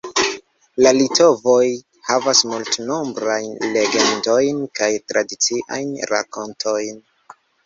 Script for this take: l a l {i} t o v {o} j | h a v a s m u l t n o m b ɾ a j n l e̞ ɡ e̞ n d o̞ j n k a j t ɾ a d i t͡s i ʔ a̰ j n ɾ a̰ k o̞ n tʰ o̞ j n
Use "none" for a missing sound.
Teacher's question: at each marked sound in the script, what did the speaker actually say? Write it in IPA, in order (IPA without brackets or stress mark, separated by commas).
i, o